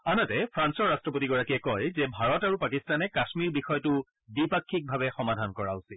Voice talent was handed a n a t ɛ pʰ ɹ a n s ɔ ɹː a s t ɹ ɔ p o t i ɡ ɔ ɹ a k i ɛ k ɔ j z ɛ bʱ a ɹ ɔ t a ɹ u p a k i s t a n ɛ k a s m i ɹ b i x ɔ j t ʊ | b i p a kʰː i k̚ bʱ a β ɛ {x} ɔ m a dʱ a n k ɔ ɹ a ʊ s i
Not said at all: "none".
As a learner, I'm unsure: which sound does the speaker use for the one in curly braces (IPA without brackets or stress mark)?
x